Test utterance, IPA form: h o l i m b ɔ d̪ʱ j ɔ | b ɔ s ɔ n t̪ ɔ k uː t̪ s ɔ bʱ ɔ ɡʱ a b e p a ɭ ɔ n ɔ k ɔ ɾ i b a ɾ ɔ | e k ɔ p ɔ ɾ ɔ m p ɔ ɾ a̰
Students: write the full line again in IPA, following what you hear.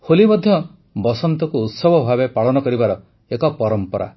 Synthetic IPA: h o l i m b ɔ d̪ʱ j ɔ | b ɔ s ɔ n t̪ ɔ k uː t̪ s ɔ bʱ ɔ bʱ a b e p a ɭ ɔ n ɔ k ɔ ɾ i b a ɾ ɔ | e k ɔ p ɔ ɾ ɔ m p ɔ ɾ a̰